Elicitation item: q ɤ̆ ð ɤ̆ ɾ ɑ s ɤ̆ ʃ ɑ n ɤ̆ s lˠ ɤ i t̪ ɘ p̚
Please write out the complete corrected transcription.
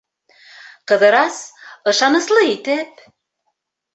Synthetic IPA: q ɤ̆ ð ɤ̆ ɾ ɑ s ɤ̆ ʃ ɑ n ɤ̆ s lˠ ɤ i t̪ ɘ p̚